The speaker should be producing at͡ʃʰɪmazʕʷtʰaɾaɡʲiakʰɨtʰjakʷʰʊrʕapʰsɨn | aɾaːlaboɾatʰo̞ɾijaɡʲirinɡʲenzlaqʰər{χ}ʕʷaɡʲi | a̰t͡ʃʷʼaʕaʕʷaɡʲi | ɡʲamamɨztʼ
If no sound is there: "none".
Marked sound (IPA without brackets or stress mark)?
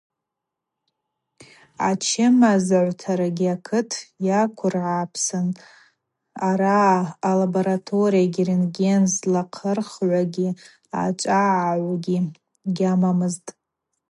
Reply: χ